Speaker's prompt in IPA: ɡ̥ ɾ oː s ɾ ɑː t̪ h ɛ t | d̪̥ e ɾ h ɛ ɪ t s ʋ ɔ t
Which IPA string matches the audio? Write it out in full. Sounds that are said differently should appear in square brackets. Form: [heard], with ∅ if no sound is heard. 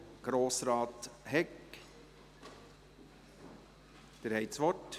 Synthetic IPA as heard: ɡ̥ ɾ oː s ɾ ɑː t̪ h ɛ [k] | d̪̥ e ɾ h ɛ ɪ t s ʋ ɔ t